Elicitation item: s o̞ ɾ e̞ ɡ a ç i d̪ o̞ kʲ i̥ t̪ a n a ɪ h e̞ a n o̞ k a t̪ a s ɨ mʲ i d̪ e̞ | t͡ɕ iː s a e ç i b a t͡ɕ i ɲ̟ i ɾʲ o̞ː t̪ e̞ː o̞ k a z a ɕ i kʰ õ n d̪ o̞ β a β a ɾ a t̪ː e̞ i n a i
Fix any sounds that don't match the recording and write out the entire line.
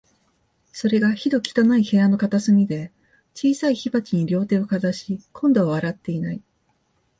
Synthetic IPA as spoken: s o̞ ɾ e̞ ɡ a ç i d̪ o̞ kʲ i̥ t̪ a n a i h e̞ a n o̞ k a t̪ a s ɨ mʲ i d̪ e̞ | t͡ɕ iː s a i ç i b a t͡ɕ i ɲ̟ i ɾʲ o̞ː t̪ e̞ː o̞ k a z a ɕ i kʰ õ n d̪ o̞ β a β a ɾ a t̪ː e̞ i n a i